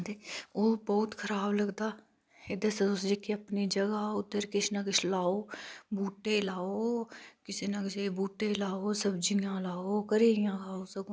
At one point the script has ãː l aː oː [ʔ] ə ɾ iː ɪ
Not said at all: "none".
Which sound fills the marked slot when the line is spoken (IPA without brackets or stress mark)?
k